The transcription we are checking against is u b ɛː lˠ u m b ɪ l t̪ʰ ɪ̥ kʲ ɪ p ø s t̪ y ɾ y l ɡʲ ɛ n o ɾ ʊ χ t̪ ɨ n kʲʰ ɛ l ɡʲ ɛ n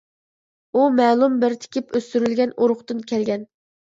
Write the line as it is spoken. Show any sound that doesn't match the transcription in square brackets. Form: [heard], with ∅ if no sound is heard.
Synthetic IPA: u [m] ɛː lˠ u m b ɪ [ɾ] t̪ʰ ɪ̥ kʲ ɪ p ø s t̪ y ɾ y l ɡʲ ɛ n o ɾ ʊ χ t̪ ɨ n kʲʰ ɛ l ɡʲ ɛ n